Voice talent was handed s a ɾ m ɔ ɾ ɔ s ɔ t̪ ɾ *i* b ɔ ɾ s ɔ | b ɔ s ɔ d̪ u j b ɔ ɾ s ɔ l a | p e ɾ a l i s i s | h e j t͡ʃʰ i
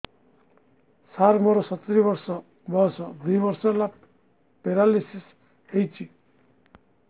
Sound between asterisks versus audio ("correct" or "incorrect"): correct